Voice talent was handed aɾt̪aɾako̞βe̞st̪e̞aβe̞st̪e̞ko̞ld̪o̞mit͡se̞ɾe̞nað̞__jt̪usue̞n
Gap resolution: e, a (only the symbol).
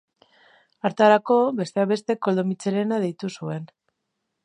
e